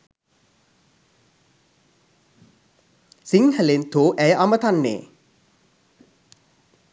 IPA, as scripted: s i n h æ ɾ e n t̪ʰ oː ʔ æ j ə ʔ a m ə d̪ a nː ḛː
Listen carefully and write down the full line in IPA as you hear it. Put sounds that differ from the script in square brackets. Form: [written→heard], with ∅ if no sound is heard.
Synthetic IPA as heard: s i [n→ŋ] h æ [ɾ→l] e n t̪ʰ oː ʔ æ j ə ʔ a m ə [d̪→t̪] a nː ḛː